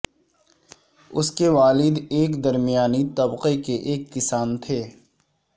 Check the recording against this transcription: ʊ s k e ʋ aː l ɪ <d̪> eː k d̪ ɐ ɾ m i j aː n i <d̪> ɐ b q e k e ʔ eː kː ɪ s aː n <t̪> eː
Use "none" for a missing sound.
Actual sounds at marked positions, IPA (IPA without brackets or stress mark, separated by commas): d̪, t̪, t̪ʰ